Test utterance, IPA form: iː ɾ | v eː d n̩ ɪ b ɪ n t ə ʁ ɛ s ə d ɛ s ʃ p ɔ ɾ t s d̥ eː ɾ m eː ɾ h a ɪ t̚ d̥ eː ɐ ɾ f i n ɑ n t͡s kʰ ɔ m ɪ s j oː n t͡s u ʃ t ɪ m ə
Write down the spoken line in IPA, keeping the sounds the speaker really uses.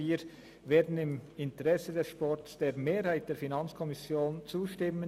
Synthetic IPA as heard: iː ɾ | v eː d n̩ ɪ m ɪ n t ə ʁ ɛ s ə d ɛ s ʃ p ɔ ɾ t s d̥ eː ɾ m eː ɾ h a ɪ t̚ d̥ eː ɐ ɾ f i n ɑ n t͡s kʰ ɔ m ɪ s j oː n t͡s uː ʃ t ɪ m ə